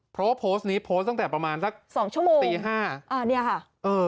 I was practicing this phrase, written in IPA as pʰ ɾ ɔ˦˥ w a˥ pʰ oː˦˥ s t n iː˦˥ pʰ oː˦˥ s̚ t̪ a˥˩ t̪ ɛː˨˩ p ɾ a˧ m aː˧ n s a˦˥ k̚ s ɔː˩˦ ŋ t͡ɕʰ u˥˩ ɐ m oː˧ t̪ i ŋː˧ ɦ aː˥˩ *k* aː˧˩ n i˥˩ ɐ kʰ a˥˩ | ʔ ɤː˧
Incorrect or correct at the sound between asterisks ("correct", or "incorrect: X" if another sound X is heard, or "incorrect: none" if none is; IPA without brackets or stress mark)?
incorrect: ʔ